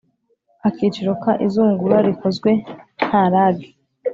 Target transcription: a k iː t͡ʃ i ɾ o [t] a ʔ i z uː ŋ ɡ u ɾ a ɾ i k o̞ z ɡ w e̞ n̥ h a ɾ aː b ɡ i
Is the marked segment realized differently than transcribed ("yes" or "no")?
yes